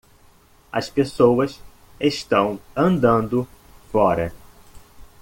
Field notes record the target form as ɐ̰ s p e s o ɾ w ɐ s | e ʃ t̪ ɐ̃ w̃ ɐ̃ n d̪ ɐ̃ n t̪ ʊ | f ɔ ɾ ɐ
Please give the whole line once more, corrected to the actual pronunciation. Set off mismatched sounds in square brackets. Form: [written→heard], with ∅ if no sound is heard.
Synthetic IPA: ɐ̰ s p e s o [ɾ→∅] w ɐ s | e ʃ t̪ ɐ̃ w̃ ɐ̃ n d̪ ɐ̃ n [t̪→d̪] ʊ | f ɔ ɾ ɐ